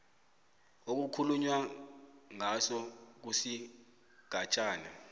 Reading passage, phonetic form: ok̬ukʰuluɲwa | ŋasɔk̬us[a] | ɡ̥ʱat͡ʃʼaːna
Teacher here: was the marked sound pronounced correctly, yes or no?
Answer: no